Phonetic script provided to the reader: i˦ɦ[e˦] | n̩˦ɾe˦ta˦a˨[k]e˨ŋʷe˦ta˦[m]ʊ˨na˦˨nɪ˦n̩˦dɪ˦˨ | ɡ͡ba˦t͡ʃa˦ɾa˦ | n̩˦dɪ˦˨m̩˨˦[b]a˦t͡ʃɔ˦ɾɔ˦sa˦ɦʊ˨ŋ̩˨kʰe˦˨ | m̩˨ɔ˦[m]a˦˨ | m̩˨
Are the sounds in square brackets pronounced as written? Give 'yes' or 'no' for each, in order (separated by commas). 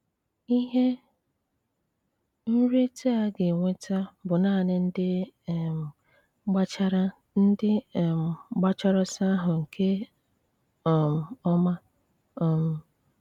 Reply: yes, no, no, no, yes